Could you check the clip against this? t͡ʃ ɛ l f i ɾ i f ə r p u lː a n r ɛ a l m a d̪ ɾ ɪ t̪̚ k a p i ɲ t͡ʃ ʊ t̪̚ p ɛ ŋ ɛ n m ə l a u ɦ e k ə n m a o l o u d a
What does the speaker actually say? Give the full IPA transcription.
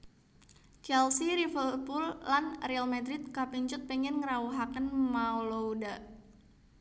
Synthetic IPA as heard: t͡ʃ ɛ l s i ɾ i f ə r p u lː a n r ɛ a l m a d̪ ɾ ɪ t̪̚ k a p i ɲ t͡ʃ ʊ t̪̚ p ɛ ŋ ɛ n ŋ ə ɾ a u ɦ a k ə n m a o l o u d a